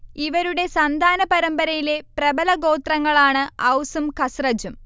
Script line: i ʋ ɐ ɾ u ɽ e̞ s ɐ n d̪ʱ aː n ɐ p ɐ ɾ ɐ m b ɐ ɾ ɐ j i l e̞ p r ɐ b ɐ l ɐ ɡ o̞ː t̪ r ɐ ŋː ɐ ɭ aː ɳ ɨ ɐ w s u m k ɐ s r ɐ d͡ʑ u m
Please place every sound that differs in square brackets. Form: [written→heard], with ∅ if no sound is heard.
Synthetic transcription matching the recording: i ʋ ɐ ɾ u ɽ e̞ s ɐ n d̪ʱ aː n ɐ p ɐ ɾ ɐ m b ɐ ɾ ɐ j i l e̞ p r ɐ b ɐ l ɐ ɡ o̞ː t̪ r ɐ ŋː ɐ ɭ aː ɳ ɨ ɐ w s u m k ɐ s r ɐ d͡ʑ u m